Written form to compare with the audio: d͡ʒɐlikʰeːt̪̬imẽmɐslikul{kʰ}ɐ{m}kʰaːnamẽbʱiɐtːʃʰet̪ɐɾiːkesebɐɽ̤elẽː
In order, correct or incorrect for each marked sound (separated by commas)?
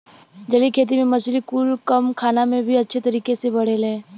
incorrect, correct